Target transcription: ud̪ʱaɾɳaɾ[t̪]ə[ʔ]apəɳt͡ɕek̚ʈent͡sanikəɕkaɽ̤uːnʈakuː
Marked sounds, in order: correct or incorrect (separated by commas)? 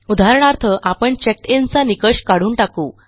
incorrect, correct